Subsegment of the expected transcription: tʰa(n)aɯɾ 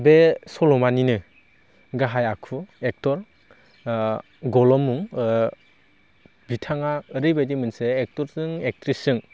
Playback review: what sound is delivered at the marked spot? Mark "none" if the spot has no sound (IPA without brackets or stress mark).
ŋ